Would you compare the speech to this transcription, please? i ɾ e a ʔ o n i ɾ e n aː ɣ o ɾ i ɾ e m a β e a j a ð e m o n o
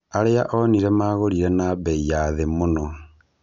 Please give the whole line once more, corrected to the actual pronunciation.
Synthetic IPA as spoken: a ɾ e a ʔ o n i ɾ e m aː ɣ o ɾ i ɾ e n a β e i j a ð e m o n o